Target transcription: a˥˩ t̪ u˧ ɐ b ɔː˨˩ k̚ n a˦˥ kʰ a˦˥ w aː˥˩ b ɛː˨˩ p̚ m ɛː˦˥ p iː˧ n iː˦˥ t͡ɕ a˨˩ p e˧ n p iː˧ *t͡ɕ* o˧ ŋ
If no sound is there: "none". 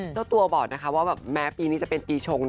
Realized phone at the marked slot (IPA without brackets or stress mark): t͡ɕʰ